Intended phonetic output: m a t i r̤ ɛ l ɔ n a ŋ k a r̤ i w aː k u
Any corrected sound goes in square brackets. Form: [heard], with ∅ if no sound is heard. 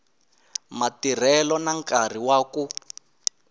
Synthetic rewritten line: m a t i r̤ ɛ l ɔ n a ŋ k a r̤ i w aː k u